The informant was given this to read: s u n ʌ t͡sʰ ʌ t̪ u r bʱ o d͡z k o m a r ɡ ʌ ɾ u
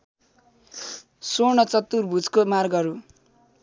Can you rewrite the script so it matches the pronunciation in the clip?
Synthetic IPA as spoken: s o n ʌ t͡s ʌ t̪ u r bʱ u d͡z k o m a r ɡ ʌ ɾ u